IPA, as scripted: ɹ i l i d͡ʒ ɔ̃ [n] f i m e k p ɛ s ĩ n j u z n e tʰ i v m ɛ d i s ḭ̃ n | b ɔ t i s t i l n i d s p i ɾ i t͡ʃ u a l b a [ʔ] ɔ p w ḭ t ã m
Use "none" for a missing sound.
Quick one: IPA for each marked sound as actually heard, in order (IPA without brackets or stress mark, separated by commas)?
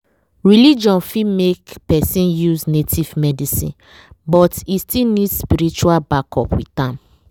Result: n, k